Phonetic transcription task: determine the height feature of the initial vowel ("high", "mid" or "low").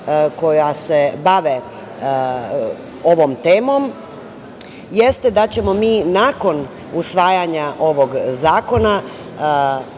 mid